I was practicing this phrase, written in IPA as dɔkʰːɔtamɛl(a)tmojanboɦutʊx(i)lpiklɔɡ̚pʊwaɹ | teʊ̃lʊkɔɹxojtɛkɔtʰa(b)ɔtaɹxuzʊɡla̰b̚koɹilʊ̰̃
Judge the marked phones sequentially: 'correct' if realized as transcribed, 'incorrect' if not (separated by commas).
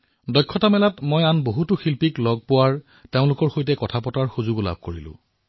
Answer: correct, correct, incorrect